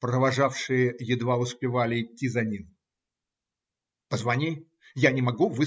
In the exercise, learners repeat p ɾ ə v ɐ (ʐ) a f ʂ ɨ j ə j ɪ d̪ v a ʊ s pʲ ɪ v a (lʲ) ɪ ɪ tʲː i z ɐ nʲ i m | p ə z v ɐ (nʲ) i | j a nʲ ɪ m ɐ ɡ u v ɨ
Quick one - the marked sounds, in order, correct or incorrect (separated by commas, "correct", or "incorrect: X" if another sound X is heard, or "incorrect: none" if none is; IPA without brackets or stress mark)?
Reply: correct, correct, correct